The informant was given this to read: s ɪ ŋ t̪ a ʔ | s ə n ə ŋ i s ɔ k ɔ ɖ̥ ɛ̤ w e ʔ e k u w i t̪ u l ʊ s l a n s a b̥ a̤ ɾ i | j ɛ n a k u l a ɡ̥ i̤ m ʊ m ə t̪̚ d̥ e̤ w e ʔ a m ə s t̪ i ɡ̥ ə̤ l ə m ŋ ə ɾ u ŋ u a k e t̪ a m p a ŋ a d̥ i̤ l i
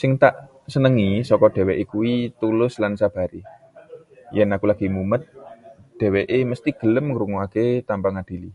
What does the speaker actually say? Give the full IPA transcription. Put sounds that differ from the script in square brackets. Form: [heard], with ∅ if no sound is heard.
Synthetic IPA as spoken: s ɪ ŋ t̪ a ʔ | s ə n ə ŋ i s ɔ k ɔ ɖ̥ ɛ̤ w e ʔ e k u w i t̪ u l ʊ s l a n s a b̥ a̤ ɾ i | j ɛ n a k u l a ɡ̥ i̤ m [u] m ə t̪̚ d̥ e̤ w e ʔ [e] m ə s t̪ i ɡ̥ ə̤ l ə m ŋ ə ɾ u ŋ u a k e t̪ a m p a ŋ a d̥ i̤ l i